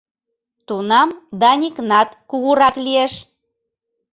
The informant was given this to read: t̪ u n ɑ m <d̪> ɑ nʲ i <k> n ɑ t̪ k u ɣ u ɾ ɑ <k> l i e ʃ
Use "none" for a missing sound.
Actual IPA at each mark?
d̪, k, k

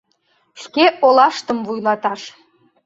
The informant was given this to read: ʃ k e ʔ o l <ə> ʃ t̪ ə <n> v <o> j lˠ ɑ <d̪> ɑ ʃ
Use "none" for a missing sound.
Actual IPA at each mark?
ɑ, m, u, t̪

